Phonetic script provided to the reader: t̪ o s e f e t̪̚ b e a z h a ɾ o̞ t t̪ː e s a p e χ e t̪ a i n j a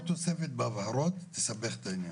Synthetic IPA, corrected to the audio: t̪ o s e f e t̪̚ b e a v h a ɾ o̞ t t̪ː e s a b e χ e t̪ a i n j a